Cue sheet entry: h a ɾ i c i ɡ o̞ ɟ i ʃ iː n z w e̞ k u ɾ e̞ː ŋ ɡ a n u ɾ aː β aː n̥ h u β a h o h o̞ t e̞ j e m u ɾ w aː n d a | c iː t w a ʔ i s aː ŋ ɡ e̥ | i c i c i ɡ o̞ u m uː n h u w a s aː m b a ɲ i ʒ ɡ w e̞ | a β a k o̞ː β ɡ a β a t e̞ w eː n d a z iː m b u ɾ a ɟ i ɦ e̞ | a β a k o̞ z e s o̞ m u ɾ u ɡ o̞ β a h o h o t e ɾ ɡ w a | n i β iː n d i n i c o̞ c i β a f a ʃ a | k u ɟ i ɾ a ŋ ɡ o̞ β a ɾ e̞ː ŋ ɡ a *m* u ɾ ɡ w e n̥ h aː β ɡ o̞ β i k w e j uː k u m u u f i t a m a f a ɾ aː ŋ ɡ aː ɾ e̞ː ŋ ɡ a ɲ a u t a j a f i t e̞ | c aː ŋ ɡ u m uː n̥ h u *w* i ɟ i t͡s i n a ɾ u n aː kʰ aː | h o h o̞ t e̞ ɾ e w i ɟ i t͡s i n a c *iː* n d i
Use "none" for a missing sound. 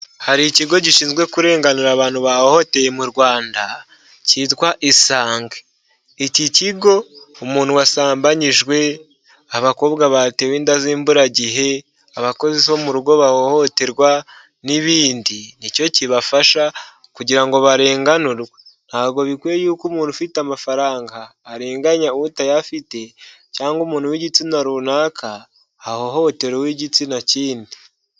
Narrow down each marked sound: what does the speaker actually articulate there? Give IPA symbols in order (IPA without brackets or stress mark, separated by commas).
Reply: n, w, iː